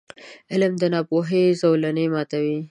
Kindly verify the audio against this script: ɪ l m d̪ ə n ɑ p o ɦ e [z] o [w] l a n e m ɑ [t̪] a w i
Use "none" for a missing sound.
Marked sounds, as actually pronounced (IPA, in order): z, w, t̪

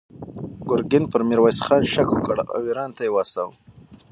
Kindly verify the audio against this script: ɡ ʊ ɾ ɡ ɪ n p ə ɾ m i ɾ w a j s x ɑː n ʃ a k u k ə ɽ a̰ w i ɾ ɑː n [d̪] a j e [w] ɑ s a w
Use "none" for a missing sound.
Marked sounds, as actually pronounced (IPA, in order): t̪, w

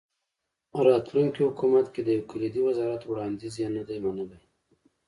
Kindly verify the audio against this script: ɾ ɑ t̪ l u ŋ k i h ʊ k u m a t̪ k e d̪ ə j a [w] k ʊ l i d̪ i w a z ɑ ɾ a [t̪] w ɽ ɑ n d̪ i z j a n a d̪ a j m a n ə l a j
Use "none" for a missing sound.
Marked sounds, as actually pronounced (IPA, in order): w, t̪

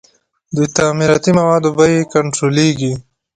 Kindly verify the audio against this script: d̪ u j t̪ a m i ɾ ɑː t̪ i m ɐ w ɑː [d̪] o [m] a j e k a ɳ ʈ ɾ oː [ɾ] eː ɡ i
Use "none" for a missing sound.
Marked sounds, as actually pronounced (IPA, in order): d̪, b, l

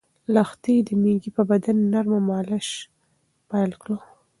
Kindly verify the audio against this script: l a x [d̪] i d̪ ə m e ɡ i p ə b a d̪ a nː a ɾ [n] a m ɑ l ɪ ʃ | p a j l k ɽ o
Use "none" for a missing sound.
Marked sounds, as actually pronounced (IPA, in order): t̪, m

